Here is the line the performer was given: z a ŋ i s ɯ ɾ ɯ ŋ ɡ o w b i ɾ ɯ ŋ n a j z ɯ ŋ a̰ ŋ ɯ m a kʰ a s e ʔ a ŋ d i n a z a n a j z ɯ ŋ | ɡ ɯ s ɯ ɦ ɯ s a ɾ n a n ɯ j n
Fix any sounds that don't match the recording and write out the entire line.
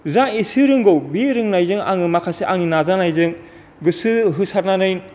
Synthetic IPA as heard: z a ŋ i s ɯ ɾ ɯ ŋ ɡ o w b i ɾ ɯ ŋ n a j z ɯ ŋ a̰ ŋ ɯ m a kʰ a s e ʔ a ŋ n i n a z a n a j z ɯ ŋ | ɡ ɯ s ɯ ɦ ɯ s a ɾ n a n ɯ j n